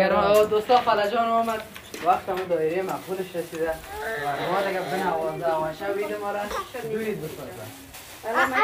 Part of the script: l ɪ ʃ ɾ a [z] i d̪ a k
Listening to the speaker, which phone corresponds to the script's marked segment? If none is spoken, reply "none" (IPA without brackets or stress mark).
s